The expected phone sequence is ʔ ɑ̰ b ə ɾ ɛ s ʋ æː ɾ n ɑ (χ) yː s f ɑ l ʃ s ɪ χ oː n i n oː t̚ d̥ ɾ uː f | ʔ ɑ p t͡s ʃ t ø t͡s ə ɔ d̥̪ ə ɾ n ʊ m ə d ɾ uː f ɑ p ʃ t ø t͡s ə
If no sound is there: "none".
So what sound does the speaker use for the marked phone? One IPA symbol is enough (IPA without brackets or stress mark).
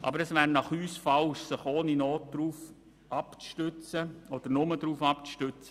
χ